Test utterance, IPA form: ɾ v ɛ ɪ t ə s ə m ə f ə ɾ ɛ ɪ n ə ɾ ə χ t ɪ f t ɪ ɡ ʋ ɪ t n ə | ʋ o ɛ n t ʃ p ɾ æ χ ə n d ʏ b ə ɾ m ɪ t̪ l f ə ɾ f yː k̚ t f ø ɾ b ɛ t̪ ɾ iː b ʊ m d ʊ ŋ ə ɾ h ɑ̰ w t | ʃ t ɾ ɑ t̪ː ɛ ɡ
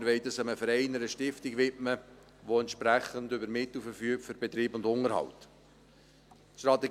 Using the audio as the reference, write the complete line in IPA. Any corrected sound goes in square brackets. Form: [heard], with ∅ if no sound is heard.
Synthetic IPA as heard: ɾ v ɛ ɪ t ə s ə m ə f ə ɾ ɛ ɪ n ə ɾ ə [ʃ] t ɪ f t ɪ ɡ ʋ ɪ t [m] ə | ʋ o ɛ n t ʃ p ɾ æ χ ə n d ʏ b ə ɾ m ɪ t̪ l f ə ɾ f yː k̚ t f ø ɾ b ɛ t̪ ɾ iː b ʊ [n] d ʊ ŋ ə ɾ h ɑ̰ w t | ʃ t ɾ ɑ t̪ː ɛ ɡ